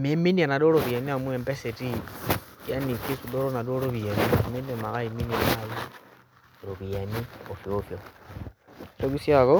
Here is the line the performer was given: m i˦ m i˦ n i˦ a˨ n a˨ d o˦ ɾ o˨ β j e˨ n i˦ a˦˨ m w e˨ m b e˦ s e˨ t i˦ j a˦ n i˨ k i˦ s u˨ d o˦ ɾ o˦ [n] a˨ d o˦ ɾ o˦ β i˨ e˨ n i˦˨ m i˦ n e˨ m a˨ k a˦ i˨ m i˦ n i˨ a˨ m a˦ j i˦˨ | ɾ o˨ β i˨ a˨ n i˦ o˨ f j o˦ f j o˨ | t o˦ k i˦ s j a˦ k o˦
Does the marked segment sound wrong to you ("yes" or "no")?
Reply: no